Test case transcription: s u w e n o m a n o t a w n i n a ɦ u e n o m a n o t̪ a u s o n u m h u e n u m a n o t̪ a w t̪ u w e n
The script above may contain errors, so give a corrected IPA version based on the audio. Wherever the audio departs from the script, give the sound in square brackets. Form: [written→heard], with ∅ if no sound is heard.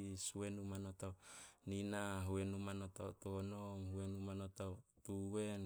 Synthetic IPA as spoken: s u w e n [o→u] m a n o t a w n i n a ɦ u e n [o→u] m a n o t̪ a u [s→t] o n [u→o] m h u e n u m a n o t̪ a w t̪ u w e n